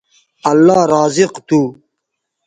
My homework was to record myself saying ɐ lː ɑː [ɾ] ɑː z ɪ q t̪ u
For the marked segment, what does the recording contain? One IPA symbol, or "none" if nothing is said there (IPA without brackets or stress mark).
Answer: ɾ